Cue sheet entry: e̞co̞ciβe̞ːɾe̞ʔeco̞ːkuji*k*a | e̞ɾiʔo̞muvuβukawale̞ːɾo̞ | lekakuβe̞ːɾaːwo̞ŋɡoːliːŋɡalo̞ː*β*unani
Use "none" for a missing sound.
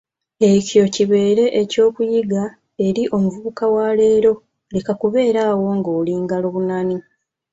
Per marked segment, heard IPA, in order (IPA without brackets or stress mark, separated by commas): ɡ, β